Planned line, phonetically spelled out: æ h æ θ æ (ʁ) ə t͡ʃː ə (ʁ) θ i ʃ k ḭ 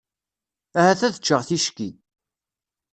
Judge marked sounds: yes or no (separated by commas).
no, yes